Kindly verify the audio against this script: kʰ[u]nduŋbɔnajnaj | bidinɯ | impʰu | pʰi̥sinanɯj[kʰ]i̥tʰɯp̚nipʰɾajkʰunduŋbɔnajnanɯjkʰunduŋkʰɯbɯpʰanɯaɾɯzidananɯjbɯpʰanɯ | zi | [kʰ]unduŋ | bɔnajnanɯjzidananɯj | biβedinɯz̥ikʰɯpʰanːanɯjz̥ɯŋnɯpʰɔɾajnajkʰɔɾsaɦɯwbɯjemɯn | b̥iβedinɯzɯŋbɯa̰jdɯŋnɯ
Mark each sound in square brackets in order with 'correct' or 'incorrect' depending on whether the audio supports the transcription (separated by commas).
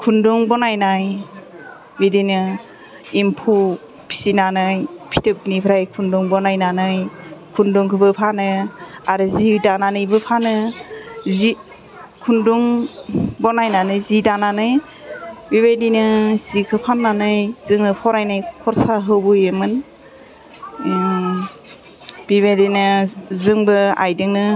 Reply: correct, incorrect, correct